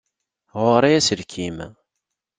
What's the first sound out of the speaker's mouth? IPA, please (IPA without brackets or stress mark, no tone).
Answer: ʁ